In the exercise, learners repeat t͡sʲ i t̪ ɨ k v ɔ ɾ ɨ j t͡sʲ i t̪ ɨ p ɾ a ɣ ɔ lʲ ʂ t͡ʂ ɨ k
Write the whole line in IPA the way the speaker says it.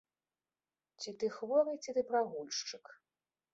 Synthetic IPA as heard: t͡sʲ i t̪ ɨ x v ɔ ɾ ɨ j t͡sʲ i t̪ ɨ p ɾ a ɣ u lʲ ʂ t͡ʂ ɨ k